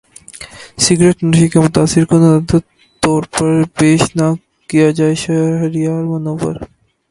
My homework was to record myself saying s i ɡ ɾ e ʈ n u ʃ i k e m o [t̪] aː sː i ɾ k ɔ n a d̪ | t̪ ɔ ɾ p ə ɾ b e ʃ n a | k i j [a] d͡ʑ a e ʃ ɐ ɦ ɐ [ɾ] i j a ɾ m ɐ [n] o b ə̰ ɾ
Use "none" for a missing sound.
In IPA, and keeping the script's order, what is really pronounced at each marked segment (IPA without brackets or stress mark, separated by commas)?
t̪, a, ɾ, n